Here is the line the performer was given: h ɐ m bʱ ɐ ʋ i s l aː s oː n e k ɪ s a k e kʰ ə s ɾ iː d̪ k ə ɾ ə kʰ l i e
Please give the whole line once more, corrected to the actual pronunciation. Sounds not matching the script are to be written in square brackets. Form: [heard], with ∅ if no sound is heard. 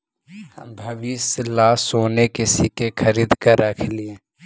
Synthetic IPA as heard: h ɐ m bʱ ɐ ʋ i s l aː s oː n e k ɪ s [i] k e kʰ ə [∅] ɾ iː d̪ k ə ɾ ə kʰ l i e